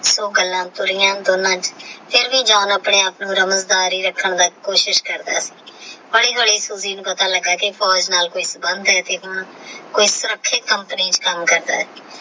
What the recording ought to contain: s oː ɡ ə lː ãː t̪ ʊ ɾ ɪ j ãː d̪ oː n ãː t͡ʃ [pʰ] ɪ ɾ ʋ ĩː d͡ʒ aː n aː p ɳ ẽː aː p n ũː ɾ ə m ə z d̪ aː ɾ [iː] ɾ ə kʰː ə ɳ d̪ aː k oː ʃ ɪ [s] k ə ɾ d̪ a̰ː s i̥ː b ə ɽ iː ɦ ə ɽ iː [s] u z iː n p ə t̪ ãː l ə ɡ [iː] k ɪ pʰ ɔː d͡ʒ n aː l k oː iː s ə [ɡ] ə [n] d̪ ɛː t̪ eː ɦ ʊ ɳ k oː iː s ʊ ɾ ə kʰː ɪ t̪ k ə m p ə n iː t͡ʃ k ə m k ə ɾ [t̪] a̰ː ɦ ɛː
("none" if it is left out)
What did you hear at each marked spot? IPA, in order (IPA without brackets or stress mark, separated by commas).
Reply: pʰ, iː, ʃ, s, aː, b, n, d̪